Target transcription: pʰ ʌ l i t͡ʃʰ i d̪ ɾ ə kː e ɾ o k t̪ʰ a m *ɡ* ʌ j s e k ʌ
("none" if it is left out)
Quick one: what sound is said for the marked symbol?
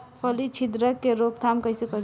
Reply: k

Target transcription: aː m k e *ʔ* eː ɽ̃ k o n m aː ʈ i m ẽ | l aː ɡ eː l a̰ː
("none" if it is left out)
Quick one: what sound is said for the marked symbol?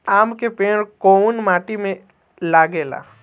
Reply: p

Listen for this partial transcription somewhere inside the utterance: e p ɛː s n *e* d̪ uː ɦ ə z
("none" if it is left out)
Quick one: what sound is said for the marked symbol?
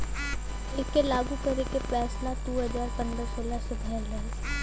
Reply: a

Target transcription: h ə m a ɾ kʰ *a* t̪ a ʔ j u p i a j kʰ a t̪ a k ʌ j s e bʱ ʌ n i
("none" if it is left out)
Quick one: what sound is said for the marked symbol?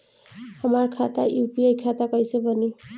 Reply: a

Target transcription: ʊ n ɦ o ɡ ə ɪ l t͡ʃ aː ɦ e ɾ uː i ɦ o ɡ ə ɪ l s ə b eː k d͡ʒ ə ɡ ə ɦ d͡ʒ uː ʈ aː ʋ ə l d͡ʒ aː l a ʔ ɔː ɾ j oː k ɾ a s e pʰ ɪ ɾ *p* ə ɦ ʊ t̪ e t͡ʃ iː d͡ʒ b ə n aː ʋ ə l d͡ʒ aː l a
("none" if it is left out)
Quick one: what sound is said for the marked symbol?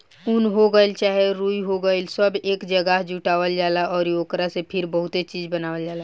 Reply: b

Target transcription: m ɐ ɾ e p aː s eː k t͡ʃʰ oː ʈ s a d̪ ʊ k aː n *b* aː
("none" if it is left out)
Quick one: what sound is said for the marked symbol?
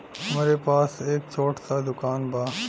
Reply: b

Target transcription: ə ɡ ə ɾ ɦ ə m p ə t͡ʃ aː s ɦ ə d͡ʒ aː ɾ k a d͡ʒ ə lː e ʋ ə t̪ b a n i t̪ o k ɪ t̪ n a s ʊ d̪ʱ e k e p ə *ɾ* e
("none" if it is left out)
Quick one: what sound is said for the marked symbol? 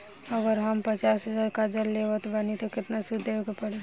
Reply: ɽ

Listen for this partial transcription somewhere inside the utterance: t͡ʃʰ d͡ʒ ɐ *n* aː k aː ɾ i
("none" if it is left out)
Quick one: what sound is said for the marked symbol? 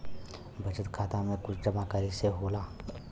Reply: m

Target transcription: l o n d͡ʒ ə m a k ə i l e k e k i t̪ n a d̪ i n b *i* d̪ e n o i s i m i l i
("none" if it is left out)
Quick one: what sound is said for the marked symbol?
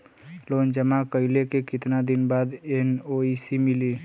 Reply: a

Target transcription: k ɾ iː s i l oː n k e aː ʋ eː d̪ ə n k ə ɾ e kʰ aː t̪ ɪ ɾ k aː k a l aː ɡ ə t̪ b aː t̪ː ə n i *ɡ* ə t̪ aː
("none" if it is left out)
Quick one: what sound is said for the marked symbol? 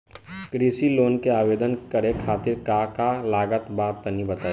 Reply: b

